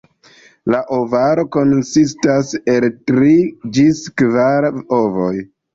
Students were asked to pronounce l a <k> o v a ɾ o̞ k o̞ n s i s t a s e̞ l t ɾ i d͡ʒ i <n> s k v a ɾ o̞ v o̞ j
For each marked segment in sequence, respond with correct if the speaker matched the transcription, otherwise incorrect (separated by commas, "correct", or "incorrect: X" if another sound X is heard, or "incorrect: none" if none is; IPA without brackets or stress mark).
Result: incorrect: ʔ, incorrect: none